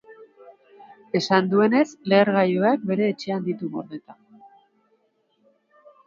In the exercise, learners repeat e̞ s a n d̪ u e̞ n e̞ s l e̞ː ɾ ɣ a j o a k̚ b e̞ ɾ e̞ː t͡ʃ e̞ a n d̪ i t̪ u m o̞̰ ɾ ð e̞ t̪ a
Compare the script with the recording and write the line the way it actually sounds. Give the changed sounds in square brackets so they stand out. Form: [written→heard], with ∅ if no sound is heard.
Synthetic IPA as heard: e̞ s a n d̪ u e̞ n e̞ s l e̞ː ɾ ɣ a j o a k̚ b e̞ ɾ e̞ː t͡ʃ e̞ a n d̪ i t̪ u m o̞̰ ɾ ð e̞ t̪ a